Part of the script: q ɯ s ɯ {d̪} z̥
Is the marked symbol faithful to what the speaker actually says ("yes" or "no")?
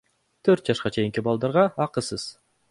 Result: no